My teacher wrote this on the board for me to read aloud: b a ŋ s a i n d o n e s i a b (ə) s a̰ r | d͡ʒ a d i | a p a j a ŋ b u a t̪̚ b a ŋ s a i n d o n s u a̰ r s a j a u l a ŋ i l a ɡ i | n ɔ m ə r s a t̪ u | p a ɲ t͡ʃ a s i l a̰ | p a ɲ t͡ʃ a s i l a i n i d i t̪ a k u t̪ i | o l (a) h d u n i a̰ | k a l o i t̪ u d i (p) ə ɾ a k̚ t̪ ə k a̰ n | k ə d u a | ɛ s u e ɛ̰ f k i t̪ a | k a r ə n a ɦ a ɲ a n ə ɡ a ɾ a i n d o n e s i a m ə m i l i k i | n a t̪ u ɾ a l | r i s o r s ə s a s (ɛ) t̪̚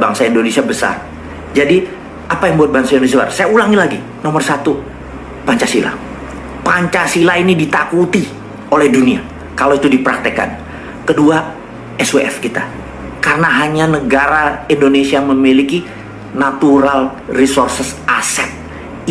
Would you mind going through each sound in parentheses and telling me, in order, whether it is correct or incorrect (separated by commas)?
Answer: correct, incorrect, correct, correct